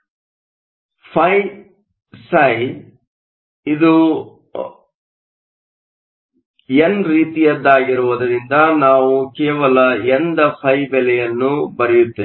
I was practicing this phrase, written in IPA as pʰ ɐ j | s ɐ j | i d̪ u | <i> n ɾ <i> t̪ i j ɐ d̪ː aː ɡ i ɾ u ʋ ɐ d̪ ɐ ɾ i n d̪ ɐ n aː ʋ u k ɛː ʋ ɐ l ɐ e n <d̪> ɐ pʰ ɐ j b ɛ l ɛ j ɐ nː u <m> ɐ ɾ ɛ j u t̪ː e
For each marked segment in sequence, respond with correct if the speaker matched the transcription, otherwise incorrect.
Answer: incorrect: e, incorrect: iː, correct, incorrect: b

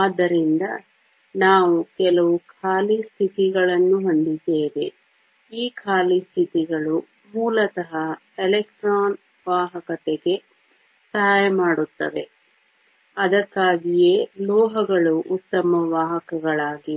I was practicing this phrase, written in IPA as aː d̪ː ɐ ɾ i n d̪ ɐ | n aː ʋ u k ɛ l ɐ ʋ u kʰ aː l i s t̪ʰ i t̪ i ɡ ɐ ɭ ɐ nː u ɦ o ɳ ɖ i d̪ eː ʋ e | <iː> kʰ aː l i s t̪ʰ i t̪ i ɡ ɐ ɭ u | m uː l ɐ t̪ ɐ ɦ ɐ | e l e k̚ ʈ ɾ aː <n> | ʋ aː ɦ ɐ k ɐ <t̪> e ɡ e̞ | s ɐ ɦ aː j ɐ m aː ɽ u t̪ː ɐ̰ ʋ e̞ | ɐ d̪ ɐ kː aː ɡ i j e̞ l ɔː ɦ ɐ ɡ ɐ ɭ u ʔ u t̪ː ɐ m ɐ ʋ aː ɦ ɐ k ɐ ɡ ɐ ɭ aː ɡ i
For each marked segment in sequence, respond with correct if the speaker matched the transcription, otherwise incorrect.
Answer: correct, correct, correct

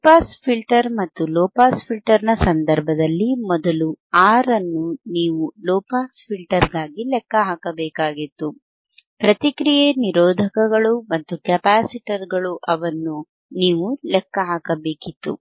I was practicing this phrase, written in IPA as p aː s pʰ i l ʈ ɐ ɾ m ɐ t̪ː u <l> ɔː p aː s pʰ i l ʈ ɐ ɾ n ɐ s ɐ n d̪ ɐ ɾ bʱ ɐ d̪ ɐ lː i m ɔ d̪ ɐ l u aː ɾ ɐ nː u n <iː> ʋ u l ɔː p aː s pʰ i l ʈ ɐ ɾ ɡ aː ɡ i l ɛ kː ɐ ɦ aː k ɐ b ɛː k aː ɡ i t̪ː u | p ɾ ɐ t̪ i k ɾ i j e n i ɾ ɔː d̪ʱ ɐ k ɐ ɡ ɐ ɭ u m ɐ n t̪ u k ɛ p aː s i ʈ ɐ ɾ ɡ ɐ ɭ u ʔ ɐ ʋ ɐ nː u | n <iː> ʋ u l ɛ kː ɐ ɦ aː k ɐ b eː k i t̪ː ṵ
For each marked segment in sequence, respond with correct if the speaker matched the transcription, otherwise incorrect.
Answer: correct, correct, correct

